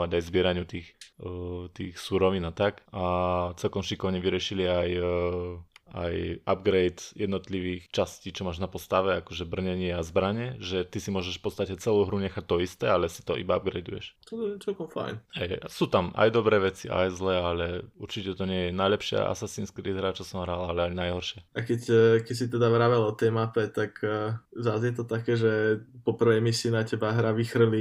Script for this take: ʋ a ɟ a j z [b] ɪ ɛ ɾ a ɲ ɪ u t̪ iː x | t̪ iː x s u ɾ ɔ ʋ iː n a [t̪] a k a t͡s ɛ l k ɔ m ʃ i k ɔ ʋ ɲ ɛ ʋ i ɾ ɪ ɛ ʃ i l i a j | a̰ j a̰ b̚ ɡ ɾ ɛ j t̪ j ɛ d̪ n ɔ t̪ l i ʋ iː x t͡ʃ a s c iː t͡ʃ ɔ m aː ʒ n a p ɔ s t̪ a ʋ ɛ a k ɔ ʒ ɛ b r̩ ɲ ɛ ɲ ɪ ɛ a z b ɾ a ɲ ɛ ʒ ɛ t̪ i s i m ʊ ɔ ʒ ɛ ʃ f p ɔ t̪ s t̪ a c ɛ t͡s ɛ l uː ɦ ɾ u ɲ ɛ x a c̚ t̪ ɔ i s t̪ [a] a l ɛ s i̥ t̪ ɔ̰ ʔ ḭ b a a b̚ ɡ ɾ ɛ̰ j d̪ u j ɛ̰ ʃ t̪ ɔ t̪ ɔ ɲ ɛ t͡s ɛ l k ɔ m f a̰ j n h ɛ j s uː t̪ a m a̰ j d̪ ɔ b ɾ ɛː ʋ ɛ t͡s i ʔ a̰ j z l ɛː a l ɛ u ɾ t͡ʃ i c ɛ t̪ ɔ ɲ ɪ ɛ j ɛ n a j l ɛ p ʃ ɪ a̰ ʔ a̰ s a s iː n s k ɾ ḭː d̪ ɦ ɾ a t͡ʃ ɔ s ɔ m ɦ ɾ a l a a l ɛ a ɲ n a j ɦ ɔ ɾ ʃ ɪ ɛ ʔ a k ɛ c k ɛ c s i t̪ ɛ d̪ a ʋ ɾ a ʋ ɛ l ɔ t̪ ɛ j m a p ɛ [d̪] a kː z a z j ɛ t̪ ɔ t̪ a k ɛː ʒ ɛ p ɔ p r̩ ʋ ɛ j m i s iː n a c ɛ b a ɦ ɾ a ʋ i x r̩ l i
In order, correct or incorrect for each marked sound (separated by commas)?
correct, correct, incorrect, incorrect